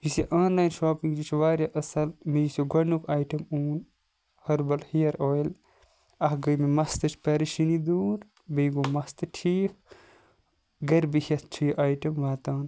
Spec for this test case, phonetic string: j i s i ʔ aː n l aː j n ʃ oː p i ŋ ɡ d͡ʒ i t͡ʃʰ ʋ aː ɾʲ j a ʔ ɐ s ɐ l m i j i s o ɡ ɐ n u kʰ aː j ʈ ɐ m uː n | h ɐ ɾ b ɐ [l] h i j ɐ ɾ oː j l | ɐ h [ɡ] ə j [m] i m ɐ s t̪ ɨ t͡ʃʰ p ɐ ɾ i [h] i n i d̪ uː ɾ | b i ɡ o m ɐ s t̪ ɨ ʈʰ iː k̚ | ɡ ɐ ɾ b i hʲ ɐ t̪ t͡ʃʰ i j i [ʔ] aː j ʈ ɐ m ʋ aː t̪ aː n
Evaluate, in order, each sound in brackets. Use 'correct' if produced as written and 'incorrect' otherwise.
correct, correct, correct, incorrect: ʃ, correct

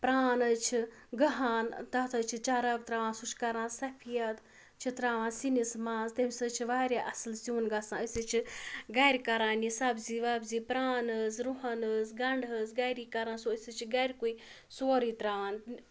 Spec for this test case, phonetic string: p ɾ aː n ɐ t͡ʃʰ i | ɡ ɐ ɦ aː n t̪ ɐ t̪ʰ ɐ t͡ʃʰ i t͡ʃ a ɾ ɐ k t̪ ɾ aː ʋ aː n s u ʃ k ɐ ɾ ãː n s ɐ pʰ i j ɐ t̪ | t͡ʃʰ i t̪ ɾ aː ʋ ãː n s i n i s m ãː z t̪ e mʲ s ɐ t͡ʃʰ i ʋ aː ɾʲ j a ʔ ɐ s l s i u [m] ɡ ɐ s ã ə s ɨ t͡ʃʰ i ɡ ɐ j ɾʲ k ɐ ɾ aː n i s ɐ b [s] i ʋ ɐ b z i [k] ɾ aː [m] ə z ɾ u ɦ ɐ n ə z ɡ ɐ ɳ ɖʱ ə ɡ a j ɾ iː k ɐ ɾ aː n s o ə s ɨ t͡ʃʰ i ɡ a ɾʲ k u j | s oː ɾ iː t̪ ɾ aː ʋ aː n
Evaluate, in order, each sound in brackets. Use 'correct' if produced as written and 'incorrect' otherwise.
incorrect: n, incorrect: z, incorrect: p, incorrect: n

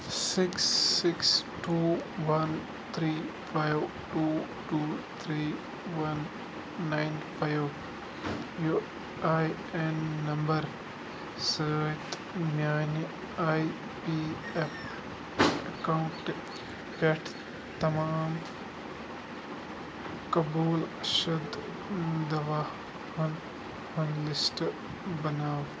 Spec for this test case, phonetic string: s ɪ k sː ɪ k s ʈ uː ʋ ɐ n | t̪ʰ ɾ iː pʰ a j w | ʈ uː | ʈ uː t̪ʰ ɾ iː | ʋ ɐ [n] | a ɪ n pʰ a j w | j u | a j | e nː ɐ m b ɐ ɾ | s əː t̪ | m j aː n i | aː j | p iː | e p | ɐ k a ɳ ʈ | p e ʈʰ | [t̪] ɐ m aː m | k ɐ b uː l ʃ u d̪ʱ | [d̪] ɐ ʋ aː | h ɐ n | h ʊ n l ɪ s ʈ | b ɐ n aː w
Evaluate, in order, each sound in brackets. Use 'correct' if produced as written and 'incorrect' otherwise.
incorrect: nː, correct, correct

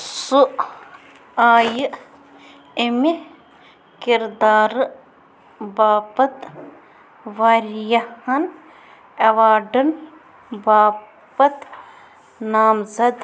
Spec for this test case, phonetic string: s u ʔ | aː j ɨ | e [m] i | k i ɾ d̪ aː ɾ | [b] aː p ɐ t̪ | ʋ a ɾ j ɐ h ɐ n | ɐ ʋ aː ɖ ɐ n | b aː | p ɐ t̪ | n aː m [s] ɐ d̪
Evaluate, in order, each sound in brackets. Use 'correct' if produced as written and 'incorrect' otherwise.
correct, correct, incorrect: z

